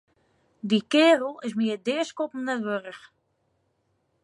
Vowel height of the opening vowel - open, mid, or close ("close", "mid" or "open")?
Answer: close